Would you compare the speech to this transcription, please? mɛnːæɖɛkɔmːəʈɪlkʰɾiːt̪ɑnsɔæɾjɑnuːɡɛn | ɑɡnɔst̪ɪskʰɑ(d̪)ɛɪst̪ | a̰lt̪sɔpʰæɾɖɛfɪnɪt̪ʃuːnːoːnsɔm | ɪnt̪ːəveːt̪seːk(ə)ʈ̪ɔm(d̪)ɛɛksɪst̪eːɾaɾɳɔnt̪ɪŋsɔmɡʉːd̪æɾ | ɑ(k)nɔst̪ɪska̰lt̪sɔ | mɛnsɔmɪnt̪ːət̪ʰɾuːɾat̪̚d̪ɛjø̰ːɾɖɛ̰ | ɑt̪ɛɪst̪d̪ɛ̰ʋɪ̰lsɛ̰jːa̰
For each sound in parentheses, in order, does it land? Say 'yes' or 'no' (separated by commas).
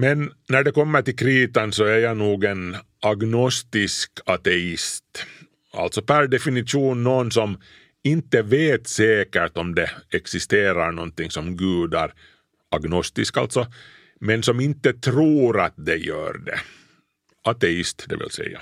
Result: no, yes, yes, no